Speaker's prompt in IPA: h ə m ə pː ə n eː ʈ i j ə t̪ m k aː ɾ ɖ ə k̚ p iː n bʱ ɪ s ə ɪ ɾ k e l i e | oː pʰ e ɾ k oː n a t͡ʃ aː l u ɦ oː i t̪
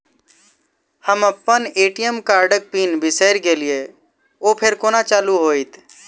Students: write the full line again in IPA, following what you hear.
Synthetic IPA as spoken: h ə m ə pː ə n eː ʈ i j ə m k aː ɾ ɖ ə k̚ p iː n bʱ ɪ s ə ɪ ɾ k e l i e | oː pʰ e ɾ k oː n a t͡ʃ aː l u ɦ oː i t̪